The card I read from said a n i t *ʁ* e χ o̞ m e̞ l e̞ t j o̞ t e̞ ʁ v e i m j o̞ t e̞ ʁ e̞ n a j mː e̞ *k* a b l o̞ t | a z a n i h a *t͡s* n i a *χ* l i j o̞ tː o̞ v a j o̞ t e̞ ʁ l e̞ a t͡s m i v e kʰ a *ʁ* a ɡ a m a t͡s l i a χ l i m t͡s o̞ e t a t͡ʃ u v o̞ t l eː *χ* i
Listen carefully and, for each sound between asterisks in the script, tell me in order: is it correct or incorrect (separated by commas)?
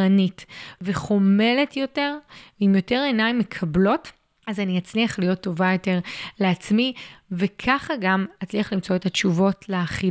incorrect, incorrect, correct, correct, incorrect, correct